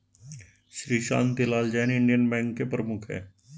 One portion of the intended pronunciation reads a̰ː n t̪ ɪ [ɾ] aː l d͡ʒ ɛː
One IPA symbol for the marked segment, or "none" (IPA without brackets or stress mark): l